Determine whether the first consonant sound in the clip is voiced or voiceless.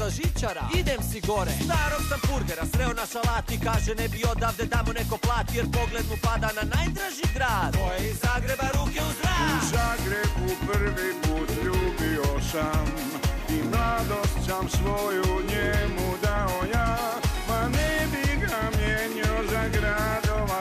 voiced